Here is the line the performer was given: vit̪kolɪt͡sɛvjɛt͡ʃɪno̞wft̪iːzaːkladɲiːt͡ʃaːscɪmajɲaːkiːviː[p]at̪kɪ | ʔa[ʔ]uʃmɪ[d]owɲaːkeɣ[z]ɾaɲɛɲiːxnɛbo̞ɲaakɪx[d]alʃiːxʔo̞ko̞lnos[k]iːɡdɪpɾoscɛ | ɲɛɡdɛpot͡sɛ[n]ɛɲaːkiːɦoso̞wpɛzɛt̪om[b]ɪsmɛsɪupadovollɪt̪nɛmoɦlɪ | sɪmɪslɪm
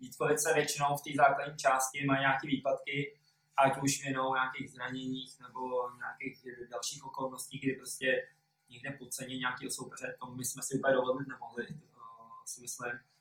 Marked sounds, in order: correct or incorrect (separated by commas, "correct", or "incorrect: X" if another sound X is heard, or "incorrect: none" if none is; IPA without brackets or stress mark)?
correct, incorrect: c, incorrect: n, correct, correct, incorrect: c, incorrect: ɲ, incorrect: m